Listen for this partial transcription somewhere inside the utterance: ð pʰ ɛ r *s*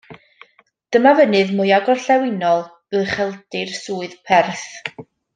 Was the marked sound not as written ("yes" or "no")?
yes